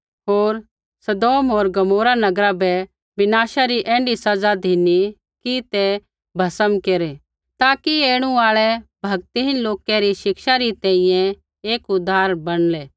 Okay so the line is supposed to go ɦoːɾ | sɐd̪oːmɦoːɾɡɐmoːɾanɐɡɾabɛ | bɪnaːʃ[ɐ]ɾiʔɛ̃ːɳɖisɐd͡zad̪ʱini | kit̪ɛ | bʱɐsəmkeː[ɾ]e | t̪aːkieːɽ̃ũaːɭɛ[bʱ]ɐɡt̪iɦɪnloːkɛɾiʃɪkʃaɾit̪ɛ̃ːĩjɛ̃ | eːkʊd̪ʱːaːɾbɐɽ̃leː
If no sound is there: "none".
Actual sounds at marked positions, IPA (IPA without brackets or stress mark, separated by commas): a, ɾ, bʱ